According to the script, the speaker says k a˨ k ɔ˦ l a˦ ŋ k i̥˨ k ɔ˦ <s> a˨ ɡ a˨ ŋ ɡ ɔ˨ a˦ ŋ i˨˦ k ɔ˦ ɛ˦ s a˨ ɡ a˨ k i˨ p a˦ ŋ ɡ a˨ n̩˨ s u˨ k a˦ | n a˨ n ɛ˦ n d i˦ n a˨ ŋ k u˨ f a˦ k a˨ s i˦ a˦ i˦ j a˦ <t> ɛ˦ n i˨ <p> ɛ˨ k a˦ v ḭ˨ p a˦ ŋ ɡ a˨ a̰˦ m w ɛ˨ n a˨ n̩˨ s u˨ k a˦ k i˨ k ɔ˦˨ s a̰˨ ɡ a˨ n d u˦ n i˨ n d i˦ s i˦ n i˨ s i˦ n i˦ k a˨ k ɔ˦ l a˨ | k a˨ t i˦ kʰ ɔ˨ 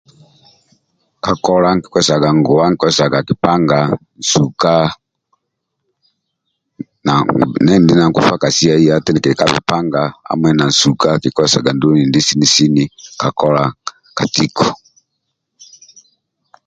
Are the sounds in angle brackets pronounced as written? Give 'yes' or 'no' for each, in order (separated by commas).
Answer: yes, yes, no